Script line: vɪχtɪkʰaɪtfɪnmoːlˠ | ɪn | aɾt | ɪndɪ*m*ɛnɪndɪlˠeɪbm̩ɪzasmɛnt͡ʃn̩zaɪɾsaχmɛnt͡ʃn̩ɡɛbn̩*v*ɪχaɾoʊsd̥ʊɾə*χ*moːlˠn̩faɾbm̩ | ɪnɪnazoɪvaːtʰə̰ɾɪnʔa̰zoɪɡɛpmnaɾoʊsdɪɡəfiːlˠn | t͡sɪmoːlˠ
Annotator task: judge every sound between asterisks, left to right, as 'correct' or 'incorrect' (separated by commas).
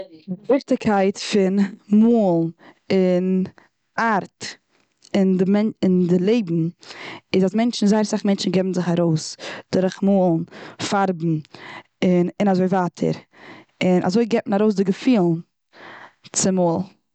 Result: correct, incorrect, correct